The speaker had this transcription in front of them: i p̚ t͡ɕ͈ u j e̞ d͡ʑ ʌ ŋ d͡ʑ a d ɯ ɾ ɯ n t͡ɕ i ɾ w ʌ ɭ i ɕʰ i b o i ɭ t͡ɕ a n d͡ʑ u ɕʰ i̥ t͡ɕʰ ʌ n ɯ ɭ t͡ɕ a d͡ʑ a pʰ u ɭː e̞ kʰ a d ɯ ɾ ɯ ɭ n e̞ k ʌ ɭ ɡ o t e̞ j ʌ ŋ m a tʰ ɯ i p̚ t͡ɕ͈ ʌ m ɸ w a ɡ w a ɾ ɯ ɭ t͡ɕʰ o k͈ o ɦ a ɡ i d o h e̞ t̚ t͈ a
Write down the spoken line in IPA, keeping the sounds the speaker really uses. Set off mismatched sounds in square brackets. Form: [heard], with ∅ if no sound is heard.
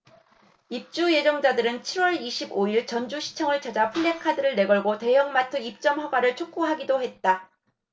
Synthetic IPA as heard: i p̚ t͡ɕ͈ u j e̞ d͡ʑ ʌ ŋ d͡ʑ a d ɯ ɾ ɯ n [t͡ɕʰ] i ɾ w ʌ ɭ i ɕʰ i b o i ɭ t͡ɕ [ʌ] n d͡ʑ u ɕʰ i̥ t͡ɕʰ ʌ [ŋ] ɯ ɭ t͡ɕ a d͡ʑ a pʰ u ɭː e̞ kʰ a d ɯ ɾ ɯ ɭ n e̞ [ɡ] ʌ ɭ ɡ o t e̞ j ʌ ŋ m a tʰ ɯ i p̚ t͡ɕ͈ ʌ m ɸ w a ɡ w a ɾ ɯ ɭ t͡ɕʰ o k͈ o ɦ a ɡ i d o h e̞ t̚ t͈ a